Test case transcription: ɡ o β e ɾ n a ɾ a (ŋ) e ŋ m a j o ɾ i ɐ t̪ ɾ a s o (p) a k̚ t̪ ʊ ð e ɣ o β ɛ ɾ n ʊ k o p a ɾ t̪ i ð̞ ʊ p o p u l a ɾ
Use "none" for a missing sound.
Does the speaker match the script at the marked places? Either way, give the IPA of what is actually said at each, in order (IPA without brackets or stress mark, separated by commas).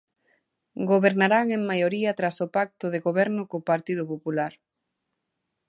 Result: ŋ, p